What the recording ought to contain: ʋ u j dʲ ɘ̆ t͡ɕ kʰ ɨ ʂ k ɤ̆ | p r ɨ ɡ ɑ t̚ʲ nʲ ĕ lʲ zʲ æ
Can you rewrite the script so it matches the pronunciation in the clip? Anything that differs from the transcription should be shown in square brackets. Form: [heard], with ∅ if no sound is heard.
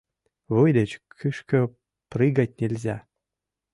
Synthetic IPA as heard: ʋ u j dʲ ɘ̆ t͡ɕ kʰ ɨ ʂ k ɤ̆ | p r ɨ ɡ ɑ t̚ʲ nʲ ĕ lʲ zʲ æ